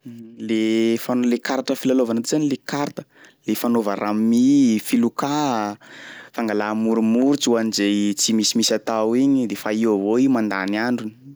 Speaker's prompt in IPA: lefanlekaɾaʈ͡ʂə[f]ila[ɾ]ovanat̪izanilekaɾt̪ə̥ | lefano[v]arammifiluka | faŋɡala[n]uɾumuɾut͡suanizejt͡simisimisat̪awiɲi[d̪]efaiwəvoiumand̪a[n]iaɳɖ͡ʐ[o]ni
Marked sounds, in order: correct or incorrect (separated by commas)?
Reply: correct, incorrect, correct, incorrect, correct, correct, incorrect